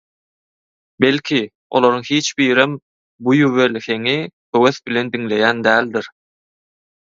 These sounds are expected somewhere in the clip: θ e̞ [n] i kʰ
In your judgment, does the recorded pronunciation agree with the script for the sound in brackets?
no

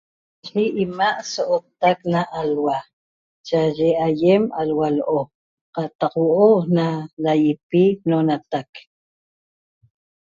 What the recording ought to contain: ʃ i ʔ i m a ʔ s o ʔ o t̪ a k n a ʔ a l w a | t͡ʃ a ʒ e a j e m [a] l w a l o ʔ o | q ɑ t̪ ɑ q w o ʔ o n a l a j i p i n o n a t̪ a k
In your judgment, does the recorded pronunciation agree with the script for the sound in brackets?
yes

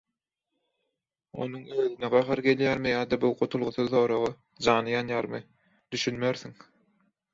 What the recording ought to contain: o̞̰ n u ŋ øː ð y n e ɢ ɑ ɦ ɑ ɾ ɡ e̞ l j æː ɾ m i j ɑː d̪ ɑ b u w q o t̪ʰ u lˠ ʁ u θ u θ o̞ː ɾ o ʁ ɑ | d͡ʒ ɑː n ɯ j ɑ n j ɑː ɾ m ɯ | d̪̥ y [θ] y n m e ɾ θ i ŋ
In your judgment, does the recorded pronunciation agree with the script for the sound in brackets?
no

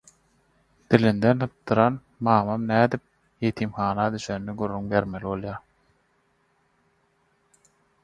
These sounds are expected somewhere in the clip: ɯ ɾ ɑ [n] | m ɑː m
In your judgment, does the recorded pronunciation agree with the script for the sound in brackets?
yes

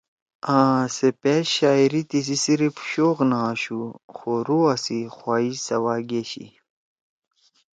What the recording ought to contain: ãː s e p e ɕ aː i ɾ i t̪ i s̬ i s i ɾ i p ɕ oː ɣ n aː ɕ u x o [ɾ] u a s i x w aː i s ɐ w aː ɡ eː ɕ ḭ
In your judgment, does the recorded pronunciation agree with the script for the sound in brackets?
yes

